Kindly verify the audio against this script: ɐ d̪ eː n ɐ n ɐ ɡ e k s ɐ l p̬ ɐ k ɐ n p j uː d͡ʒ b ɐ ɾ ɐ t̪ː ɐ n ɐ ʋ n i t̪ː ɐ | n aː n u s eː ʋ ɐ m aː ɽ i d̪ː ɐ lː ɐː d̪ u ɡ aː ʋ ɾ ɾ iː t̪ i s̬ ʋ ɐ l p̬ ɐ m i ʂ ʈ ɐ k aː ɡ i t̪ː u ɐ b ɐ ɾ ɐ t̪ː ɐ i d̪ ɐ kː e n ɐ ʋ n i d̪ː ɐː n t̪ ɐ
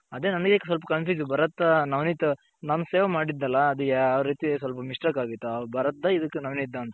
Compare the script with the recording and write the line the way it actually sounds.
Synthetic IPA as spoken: ɐ d̪ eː n ɐ n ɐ ɡ e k s ɐ l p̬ ɐ k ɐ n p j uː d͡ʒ b ɐ ɾ ɐ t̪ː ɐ n ɐ ʋ n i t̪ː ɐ | n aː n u s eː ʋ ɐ m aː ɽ i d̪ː ɐ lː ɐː d̪ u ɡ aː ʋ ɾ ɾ iː t̪ i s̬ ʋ ɐ l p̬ ɐ m i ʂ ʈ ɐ k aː ɡ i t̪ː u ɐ b ɐ ɾ ɐ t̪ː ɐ i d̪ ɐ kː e n ɐ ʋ n i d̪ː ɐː n t̪ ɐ

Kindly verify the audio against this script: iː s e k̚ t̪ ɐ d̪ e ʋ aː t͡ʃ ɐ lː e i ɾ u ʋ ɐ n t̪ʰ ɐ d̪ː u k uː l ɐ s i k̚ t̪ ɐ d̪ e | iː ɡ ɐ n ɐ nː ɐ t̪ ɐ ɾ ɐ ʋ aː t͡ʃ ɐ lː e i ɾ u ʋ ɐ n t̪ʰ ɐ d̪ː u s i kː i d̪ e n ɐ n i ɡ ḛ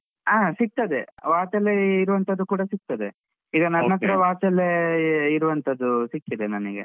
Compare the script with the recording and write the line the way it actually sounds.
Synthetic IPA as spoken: aː s i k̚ t̪ ɐ d̪ e ʋ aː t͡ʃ ɐ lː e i ɾ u ʋ ɐ n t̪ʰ ɐ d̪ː u k uː ɽ ɐ s i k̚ t̪ ɐ d̪ e | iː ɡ ɐ n ɐ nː ɐ t̪ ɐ ɾ ɐ ʋ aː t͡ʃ ɐ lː e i ɾ u ʋ ɐ n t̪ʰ ɐ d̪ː u s i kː i d̪ e n ɐ n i ɡ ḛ

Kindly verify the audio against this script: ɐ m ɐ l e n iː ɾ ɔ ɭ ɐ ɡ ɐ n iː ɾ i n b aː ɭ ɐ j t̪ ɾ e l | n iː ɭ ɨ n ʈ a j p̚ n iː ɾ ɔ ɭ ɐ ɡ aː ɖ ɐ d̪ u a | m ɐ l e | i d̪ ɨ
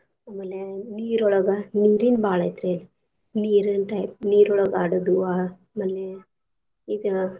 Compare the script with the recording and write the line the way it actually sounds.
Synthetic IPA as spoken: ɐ m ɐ l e n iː ɾ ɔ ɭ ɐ ɡ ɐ n iː ɾ i n b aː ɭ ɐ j t̪ ɾ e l | n iː ɾ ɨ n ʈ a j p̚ n iː ɾ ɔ ɭ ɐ ɡ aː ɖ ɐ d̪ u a | m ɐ l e | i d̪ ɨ

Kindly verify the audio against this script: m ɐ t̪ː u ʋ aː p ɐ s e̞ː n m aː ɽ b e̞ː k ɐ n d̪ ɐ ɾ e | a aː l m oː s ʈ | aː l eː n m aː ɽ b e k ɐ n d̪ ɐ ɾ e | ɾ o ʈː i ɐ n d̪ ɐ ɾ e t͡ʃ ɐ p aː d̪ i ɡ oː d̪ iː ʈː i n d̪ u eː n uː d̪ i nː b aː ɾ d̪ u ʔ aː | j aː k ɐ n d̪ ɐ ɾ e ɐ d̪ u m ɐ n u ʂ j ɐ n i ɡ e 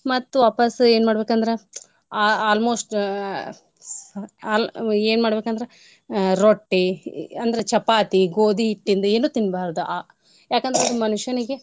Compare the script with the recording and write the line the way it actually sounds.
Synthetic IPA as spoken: m ɐ t̪ː u ʋ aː p ɐ s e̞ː n m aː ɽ b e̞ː k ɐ n d̪ ɐ ɾ e | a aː l m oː s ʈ | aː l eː n m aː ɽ b e k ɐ n d̪ ɐ ɾ e | ɾ o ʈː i ɐ n d̪ ɐ ɾ e t͡ʃ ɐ p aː t̪ i ɡ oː d̪ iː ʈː i n d̪ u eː n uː t̪ i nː b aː ɾ d̪ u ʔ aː | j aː k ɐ n d̪ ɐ ɾ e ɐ d̪ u m ɐ n u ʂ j ɐ n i ɡ e

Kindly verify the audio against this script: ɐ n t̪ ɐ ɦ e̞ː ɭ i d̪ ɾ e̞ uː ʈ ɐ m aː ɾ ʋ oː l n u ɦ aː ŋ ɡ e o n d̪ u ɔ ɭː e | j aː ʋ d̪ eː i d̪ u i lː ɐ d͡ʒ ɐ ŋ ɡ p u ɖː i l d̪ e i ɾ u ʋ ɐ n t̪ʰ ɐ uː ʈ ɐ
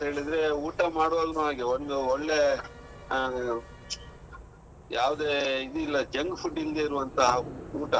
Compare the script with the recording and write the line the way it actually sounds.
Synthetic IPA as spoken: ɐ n t̪ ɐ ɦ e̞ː ɭ i d̪ ɾ e̞ uː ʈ ɐ m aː ɽ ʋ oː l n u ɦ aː ɡ e o n d̪ u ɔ ɭː e | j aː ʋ d̪ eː i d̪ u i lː ɐ d͡ʒ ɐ ŋ ɡ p u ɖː i l d̪ e i ɾ u ʋ ɐ n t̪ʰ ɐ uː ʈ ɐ

